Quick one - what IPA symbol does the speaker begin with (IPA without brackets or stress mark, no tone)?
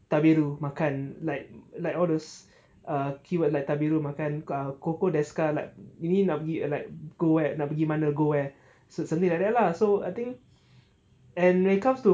t̪